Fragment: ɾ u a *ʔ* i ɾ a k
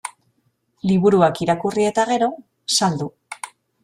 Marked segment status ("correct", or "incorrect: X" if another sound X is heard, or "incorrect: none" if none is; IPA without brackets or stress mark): incorrect: k